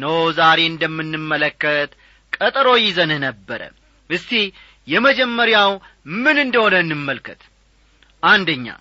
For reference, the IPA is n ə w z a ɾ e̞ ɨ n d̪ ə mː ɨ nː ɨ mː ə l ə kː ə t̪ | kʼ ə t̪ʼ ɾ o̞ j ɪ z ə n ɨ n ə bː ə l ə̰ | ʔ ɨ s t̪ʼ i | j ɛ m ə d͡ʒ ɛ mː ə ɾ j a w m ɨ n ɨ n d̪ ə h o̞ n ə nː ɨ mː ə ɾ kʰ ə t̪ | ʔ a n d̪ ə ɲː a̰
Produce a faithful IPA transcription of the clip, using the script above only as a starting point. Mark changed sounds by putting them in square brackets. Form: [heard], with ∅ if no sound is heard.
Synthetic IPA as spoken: n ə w z a ɾ e̞ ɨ n d̪ ə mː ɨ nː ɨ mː ə l ə kː ə t̪ | kʼ ə t̪ʼ ɾ o̞ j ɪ z ə n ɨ n ə bː ə [ɾ] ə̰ | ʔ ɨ s [t̪] i | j ɛ m ə d͡ʒ ɛ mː ə ɾ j a w m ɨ n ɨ n d̪ ə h o̞ n ə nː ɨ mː ə [l] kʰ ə t̪ | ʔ a n d̪ ə ɲː a̰